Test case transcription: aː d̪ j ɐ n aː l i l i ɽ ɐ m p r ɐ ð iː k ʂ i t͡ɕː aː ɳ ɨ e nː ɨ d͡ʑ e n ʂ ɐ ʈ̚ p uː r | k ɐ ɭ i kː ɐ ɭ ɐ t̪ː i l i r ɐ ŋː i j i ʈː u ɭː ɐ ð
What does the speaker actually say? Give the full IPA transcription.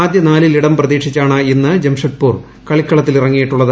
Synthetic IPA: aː d̪ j ɐ n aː l i l i ɽ ɐ m p r ɐ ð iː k ʂ i t͡ɕː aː ɳ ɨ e nː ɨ d͡ʑ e m ʂ ɐ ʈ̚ p uː r | k ɐ ɭ i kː ɐ ɭ ɐ t̪ː i l i r ɐ ŋː i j i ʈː u ɭː ɐ ð